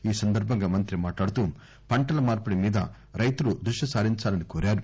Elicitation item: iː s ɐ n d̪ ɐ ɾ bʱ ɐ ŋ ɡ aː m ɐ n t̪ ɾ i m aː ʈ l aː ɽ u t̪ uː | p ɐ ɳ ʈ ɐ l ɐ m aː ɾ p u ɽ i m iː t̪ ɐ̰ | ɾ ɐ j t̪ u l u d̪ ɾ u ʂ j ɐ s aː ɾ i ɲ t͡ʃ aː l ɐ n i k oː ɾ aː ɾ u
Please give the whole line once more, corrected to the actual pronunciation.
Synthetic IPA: iː s ɐ n d̪ ɐ ɾ bʱ ɐ ŋ ɡ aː m ɐ n t̪ ɾ i m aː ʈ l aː ɽ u t̪ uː | p ɐ ɳ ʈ ɐ l ɐ m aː ɾ p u ɽ i m iː d̪ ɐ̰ | ɾ ɐ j t̪ u l u d̪ ɾ u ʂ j ɐ s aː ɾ i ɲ t͡ʃ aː l ɐ n i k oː ɾ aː ɾ u

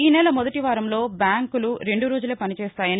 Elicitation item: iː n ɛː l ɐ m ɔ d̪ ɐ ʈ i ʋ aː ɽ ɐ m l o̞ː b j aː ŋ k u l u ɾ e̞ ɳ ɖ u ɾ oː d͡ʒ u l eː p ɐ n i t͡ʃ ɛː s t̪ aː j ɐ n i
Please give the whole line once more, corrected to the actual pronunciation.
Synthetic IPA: iː n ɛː l ɐ m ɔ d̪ ɐ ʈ i ʋ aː ɾ ɐ m l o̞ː b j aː ŋ k u l u ɾ e̞ ɳ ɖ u ɾ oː d͡ʒ u l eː p ɐ n i t͡ʃ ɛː s t̪ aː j ɐ n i

